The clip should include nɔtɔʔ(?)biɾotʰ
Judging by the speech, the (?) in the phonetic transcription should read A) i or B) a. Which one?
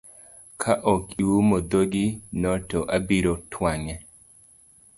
B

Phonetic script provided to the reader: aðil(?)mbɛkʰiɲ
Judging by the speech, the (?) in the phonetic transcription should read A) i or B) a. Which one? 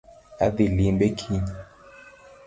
A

